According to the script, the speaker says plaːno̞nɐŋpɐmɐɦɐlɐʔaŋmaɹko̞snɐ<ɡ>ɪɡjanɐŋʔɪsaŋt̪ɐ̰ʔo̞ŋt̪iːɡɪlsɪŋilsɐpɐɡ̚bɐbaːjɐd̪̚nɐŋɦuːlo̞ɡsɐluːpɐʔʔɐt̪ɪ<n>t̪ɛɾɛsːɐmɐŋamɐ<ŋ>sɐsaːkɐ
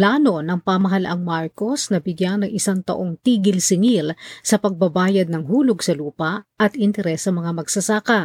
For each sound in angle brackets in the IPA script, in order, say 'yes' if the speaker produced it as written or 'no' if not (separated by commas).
no, yes, no